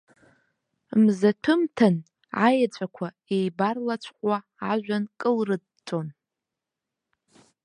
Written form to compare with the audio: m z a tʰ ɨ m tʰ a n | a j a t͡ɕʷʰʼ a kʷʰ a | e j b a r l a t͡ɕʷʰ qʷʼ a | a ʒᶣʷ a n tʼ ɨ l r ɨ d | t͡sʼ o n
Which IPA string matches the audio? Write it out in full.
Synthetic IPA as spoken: m z a tʰ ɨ m tʰ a n | a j a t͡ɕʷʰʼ a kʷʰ a | e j b a r l a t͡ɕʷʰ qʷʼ a | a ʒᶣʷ a n kʼ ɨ l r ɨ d | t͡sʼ o n